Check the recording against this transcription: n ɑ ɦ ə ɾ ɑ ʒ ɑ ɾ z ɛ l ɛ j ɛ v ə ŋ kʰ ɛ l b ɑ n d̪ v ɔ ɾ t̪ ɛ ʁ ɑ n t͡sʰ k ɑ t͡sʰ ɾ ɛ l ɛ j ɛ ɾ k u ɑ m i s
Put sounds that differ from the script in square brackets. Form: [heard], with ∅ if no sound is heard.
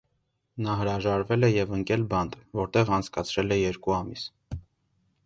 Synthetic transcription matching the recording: n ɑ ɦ ə ɾ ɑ ʒ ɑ ɾ [v] ɛ l ɛ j ɛ v ə ŋ [k] ɛ l b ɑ n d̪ v ɔ ɾ t̪ ɛ ʁ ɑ n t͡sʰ k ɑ t͡sʰ ɾ ɛ l ɛ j ɛ ɾ k u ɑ m i s